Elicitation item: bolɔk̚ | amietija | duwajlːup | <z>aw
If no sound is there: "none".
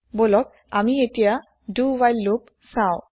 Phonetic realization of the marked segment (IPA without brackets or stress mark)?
s